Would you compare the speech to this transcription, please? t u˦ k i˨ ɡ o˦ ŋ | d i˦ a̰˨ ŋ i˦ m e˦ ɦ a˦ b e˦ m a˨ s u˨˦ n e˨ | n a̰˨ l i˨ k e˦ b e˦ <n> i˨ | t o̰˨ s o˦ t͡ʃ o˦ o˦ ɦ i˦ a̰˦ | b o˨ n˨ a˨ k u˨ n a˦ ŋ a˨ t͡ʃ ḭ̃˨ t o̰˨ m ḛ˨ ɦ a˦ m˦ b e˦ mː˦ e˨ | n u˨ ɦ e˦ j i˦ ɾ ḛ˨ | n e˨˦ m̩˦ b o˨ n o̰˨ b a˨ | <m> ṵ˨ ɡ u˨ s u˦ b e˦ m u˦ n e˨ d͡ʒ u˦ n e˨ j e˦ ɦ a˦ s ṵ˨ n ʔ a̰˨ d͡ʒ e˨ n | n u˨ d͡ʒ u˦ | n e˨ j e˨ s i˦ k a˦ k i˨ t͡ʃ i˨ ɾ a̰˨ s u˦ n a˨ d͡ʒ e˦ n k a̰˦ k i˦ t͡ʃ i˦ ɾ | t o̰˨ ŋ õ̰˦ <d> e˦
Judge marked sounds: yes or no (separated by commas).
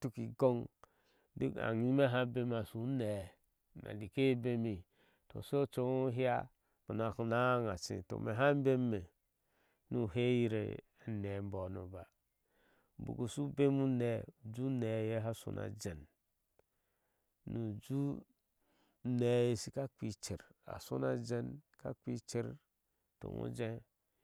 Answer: no, no, no